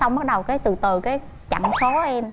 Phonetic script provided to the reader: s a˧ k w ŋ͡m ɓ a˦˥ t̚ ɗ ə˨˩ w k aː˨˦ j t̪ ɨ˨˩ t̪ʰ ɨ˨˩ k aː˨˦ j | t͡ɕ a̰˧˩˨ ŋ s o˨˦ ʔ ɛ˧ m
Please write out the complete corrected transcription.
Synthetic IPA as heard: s a˧ w ŋ͡m ɓ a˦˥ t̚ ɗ ə˨˩ w k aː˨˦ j t̪ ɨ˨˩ t̪ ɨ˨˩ k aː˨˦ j | t͡ɕ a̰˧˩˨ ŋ s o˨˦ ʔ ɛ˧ m

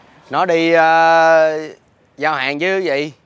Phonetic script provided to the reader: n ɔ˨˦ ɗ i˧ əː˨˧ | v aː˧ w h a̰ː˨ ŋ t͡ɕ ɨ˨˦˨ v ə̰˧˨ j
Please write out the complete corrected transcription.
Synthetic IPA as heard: n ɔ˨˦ ɗ i˧ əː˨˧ | z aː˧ w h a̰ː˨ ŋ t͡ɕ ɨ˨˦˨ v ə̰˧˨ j

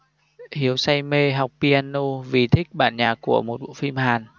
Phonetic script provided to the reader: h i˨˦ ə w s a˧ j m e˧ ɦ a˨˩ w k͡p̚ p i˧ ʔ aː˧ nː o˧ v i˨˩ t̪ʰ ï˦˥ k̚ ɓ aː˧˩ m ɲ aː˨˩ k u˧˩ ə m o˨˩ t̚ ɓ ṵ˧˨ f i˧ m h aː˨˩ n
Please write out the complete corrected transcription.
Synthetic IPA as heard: h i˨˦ ə w s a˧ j m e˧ ɦ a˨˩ w k͡p̚ p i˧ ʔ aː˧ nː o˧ v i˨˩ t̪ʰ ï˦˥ k̚ ɓ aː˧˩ n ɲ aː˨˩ k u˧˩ ə m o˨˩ t̚ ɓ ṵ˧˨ f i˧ m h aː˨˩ n

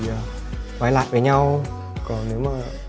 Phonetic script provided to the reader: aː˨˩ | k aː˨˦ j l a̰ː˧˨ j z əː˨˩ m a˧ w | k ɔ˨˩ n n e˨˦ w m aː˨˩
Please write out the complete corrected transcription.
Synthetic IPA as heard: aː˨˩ | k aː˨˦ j l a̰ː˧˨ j v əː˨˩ ɲ a˧ w | k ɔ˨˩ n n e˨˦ w m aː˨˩

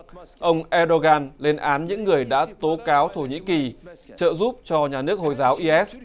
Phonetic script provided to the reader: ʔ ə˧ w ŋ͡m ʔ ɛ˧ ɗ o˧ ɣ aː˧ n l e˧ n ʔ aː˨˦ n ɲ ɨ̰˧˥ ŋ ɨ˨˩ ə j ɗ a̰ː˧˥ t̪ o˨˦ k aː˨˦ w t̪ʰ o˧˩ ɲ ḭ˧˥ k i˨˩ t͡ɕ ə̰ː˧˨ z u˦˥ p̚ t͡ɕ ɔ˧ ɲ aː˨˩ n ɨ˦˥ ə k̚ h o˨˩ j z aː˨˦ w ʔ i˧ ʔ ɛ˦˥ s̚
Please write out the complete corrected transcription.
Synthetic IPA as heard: ʔ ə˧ w ŋ͡m ʔ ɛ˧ ɗ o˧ ɣ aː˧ n l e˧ n ʔ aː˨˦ n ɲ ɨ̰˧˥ ŋː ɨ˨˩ ə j ɗ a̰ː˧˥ t̪ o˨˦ k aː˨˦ w t̪ʰ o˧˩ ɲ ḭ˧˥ k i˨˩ t͡ɕ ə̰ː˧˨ z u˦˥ p̚ t͡ɕ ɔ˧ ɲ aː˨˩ n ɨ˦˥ ə k̚ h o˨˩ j z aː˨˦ w ʔ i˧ ʔ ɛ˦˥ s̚

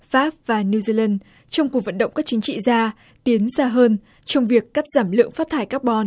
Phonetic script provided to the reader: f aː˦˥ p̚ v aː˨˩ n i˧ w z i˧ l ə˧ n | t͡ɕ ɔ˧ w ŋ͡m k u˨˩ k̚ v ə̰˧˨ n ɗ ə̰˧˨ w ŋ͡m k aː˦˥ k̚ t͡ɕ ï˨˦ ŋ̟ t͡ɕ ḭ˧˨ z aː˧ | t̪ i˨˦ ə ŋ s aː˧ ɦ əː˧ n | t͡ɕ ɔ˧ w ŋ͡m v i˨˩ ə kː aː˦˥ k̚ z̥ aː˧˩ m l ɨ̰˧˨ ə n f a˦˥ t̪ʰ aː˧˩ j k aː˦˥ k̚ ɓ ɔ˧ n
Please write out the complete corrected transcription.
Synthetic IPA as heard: f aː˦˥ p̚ v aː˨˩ n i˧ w z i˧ l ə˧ n | t͡ɕ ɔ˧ w ŋ͡m k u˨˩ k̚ v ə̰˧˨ n ɗ ə̰˧˨ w ŋ͡m k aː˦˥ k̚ t͡ɕ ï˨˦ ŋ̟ t͡ɕ ḭ˧˨ z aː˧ | t̪ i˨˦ ə n s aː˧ ɦ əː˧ n | t͡ɕ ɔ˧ w ŋ͡m v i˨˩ ə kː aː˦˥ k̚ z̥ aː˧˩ m l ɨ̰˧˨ ə ŋ f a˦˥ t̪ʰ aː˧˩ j k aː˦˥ k̚ ɓ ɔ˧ n

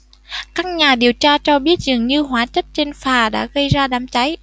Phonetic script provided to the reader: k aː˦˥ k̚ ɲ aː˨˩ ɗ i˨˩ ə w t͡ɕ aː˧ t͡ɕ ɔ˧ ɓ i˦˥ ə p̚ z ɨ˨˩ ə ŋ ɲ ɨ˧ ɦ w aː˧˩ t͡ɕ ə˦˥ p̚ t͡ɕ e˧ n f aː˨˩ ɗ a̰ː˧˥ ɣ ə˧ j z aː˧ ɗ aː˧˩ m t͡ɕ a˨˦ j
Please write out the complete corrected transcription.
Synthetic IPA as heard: k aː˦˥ k̚ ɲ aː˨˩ ɗ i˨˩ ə w t͡ɕ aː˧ t͡ɕ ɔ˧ ɓ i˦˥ ə t̚ z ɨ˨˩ ə ŋ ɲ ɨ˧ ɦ w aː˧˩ t͡ɕ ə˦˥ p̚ t͡ɕ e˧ n f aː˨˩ ɗ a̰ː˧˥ ɣ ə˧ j z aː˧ ɗ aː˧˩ m t͡ɕ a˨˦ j

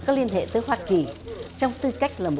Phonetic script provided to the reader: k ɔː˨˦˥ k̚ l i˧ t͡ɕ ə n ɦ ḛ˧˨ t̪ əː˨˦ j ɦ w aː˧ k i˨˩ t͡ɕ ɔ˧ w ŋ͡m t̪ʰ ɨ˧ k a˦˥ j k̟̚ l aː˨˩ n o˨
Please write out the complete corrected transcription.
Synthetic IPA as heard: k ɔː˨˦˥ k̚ l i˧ ə n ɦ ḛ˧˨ t̪ əː˨˦ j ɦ w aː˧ k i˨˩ t͡ɕ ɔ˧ w ŋ͡m t̪ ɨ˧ k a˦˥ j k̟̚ l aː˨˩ m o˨

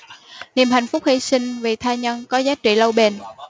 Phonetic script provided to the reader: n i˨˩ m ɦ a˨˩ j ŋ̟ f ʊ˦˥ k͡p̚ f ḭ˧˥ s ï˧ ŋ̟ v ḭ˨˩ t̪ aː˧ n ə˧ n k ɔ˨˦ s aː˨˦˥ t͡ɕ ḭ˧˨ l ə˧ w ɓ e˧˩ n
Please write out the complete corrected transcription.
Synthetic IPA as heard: n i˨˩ m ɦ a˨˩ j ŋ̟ f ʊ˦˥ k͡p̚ h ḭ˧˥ s ï˧ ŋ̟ v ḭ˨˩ t̪ʰ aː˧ ɲ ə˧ n k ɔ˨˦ z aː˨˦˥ t͡ɕ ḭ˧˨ l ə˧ w ɓ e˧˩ n

